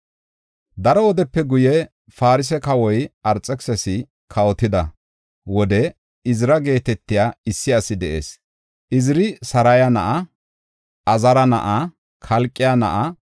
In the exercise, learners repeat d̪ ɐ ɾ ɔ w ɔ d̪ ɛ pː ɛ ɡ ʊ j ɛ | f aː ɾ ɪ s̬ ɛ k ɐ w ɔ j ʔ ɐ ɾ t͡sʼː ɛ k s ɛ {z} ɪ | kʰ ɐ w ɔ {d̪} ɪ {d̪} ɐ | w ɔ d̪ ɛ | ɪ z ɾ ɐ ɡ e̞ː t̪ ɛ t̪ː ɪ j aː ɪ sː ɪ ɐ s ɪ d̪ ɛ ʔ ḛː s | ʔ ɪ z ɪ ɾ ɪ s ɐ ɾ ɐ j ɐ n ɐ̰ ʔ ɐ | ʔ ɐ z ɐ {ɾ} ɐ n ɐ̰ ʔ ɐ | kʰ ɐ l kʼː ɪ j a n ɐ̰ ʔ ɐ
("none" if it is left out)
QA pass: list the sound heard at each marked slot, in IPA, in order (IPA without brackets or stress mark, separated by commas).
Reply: s, t̪, d̪, ɾ